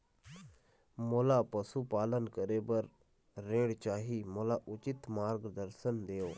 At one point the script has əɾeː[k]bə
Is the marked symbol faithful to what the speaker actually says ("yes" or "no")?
no